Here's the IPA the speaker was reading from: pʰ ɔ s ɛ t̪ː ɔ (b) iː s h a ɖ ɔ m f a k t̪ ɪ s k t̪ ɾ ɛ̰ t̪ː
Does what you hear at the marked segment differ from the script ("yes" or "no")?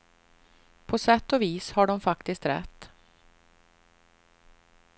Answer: yes